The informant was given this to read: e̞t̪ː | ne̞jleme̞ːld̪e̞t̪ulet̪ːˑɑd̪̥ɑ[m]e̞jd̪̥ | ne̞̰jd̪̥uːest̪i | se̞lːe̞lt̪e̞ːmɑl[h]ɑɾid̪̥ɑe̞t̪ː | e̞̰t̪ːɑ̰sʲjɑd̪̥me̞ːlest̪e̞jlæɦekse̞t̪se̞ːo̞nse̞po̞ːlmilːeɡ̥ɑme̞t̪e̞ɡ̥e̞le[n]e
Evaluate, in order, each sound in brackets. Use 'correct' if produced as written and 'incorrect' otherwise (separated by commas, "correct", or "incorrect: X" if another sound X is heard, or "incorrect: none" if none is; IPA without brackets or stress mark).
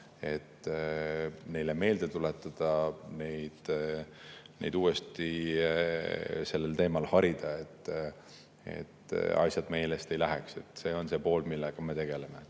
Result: incorrect: n, correct, incorrect: m